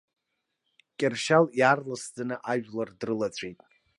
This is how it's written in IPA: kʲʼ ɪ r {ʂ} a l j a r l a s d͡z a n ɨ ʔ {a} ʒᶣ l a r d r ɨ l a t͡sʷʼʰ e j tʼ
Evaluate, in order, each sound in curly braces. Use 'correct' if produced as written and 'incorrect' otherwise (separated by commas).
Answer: incorrect, correct